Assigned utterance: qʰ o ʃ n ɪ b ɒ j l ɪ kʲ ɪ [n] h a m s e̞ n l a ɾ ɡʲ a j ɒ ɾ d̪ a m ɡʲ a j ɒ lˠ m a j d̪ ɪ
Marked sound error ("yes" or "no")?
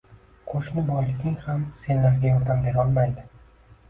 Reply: yes